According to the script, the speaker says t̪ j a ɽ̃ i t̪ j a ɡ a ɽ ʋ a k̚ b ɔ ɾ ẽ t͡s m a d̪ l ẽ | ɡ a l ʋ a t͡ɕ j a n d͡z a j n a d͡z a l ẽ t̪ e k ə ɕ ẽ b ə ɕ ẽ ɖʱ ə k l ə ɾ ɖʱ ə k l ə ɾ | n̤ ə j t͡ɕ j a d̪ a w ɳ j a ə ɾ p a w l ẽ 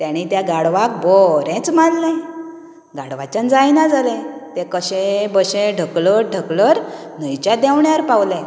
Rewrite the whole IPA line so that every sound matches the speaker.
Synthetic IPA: t̪ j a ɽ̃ i t̪ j a ɡ a ɽ ʋ a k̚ b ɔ ɾ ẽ t͡s m a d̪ l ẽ | ɡ a ɽ ʋ a t͡ɕ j a n d͡z a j n a d͡z a l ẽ t̪ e k ə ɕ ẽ b ə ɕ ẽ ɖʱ ə k l ə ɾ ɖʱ ə k l ə ɾ | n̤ ə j t͡ɕ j a d̪ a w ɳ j a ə ɾ p a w l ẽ